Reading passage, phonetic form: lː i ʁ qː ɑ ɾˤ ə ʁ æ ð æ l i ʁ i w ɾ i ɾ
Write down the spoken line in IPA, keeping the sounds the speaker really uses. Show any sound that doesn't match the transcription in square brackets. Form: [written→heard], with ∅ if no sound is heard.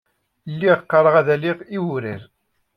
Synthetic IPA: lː i ʁ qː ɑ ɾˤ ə ʁ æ ð æ l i ʁ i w ɾ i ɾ